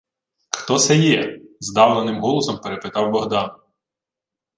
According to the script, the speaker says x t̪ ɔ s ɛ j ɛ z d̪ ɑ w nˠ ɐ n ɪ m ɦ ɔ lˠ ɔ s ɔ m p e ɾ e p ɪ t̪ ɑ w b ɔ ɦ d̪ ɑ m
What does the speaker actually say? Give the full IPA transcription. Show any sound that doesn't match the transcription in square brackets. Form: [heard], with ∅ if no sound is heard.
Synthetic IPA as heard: x t̪ ɔ s ɛ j ɛ z d̪ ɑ w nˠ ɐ n ɪ m ɦ ɔ lˠ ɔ s ɔ m p e ɾ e p ɪ t̪ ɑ w b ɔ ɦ d̪ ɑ [n]

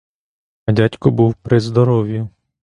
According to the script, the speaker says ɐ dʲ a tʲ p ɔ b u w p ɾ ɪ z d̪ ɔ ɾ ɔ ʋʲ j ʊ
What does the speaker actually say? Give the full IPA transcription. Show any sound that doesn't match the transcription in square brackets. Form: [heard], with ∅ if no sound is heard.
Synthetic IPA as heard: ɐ dʲ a tʲ [k] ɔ b u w p ɾ ɪ z d̪ ɔ ɾ ɔ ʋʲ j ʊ

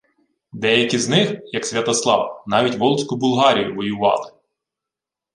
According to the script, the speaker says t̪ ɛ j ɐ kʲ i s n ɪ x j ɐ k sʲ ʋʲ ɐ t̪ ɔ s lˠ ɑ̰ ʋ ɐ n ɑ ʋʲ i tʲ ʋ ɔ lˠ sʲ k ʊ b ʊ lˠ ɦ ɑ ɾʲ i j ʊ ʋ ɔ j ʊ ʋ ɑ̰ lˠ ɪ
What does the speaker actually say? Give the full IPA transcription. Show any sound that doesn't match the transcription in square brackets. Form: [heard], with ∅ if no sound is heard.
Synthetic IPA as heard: [d̪] ɛ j ɐ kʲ i [z] n ɪ x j ɐ k sʲ ʋʲ ɐ t̪ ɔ s lˠ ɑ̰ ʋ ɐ n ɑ ʋʲ i tʲ ʋ ɔ lˠ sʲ k ʊ b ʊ lˠ ɦ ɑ ɾʲ i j ʊ ʋ ɔ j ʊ ʋ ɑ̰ lˠ ɪ

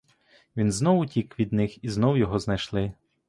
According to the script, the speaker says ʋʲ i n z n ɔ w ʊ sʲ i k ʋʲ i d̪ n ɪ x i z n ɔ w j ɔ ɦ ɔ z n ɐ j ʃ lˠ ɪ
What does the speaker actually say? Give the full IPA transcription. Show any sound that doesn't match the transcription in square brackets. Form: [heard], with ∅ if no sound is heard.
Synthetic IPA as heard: ʋʲ i n z n ɔ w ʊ [tʲ] i k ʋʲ i d̪ n ɪ x i z n ɔ w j ɔ ɦ ɔ z n ɐ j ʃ lˠ ɪ

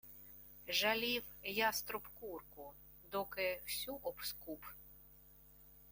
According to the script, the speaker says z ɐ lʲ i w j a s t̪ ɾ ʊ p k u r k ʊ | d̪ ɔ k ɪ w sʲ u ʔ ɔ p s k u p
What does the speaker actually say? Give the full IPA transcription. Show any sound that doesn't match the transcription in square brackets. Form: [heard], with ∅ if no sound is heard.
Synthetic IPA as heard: [ʒ] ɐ lʲ i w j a s t̪ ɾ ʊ p k u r k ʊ | d̪ ɔ k ɪ w sʲ u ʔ ɔ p s k u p

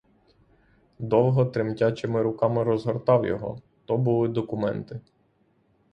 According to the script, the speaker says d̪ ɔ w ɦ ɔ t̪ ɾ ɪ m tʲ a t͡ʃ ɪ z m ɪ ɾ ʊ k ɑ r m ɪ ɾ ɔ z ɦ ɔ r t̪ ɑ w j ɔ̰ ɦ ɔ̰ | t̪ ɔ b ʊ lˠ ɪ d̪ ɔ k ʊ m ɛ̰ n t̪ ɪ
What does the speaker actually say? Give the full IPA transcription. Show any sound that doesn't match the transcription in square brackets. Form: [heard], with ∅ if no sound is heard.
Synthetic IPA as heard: d̪ ɔ w ɦ ɔ t̪ ɾ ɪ m tʲ a t͡ʃ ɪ [∅] m ɪ ɾ ʊ k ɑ [∅] m ɪ ɾ ɔ z ɦ ɔ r t̪ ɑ w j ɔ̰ ɦ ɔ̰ | t̪ ɔ b ʊ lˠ ɪ d̪ ɔ k ʊ m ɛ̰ n t̪ ɪ

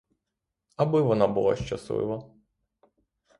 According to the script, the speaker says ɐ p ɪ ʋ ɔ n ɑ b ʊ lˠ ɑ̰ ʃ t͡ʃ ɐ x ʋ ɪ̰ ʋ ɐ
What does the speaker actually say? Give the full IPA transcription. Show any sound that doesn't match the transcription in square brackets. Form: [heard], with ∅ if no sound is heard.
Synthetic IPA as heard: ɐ [b] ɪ ʋ ɔ n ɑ b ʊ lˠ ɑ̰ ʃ t͡ʃ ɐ [s] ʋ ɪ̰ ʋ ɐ

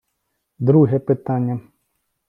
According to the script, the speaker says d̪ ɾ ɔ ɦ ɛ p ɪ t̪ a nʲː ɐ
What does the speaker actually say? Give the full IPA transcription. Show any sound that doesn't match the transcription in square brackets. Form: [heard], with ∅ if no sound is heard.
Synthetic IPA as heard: d̪ ɾ [u] ɦ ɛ p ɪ t̪ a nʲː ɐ

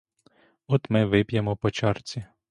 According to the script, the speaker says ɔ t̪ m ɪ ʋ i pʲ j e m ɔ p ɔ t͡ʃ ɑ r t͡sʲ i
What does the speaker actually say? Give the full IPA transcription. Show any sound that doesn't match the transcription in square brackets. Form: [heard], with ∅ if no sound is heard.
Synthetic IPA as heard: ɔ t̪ m ɪ ʋ [ɪ] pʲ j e m ɔ p ɔ t͡ʃ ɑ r t͡sʲ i

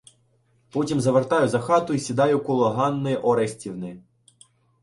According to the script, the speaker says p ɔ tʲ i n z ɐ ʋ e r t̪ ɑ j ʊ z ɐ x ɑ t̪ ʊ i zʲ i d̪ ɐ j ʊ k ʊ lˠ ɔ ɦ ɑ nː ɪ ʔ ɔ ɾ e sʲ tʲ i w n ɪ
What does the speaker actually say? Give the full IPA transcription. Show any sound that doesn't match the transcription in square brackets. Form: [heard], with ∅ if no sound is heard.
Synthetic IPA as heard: p ɔ tʲ i [m] z ɐ ʋ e r t̪ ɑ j ʊ z ɐ x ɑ t̪ ʊ i [sʲ] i d̪ [ɑ] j ʊ k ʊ lˠ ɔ ɦ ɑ nː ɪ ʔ ɔ ɾ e sʲ tʲ i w n ɪ

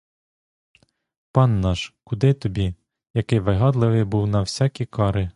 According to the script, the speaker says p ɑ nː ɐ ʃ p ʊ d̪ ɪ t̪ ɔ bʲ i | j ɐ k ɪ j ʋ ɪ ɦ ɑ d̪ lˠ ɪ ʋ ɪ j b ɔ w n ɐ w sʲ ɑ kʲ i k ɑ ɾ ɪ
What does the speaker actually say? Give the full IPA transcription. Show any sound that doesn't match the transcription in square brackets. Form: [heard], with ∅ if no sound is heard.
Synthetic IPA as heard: p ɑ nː [ɑ] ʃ [k] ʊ d̪ ɪ t̪ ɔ bʲ i | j ɐ k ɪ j ʋ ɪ ɦ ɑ d̪ lˠ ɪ ʋ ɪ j b [u] w n ɐ w sʲ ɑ kʲ i k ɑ ɾ ɪ

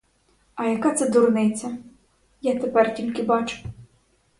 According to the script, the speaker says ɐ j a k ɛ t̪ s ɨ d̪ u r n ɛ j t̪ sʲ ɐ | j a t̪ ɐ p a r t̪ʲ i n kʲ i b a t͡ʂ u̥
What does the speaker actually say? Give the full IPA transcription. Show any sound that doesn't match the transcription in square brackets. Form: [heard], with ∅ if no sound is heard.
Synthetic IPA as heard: ɐ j a k [a] t̪ s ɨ d̪ u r n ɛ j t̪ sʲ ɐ | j a t̪ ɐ p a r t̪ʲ i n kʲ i b a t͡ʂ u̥

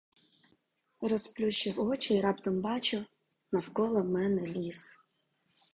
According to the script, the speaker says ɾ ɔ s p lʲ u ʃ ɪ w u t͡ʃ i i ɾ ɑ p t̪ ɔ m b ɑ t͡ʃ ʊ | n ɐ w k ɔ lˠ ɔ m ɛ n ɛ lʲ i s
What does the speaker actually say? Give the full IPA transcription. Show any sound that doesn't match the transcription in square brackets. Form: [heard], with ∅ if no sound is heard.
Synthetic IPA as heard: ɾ ɔ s p lʲ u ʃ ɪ w [ɔ] t͡ʃ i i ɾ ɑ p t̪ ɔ m b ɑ t͡ʃ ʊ | n ɐ w k ɔ lˠ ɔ m ɛ n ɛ lʲ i s

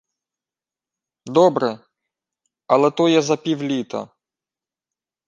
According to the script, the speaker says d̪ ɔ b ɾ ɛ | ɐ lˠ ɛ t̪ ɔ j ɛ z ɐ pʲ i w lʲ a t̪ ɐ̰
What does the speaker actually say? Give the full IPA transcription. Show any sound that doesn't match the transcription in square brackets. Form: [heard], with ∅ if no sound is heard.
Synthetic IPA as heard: d̪ ɔ b ɾ ɛ | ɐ lˠ ɛ t̪ ɔ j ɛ z ɐ pʲ i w lʲ [i] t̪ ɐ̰

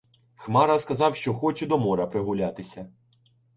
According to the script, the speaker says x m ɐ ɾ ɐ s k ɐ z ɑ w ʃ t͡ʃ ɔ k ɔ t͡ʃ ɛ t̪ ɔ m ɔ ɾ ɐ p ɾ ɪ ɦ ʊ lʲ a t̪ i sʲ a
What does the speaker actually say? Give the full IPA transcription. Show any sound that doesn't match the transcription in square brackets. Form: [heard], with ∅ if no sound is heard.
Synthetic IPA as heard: x m [ɑ] ɾ ɐ s k ɐ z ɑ w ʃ t͡ʃ ɔ [x] ɔ t͡ʃ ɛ [d̪] ɔ m ɔ ɾ ɐ p ɾ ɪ ɦ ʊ lʲ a t̪ [ɪ] sʲ [ɐ]

